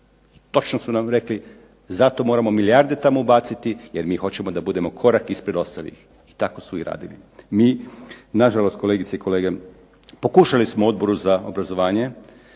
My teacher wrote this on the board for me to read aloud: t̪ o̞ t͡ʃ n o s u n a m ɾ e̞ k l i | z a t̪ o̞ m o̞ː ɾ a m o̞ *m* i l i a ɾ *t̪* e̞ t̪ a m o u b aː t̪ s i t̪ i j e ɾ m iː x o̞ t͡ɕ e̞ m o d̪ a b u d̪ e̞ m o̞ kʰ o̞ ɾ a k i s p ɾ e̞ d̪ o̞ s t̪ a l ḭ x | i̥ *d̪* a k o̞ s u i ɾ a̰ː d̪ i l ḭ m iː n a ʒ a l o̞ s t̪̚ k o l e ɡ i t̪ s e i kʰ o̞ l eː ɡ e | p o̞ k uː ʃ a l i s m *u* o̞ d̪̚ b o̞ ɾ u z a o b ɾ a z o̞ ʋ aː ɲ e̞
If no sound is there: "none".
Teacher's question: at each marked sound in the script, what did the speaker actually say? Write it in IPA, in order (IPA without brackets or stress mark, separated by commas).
m, d̪, t̪, o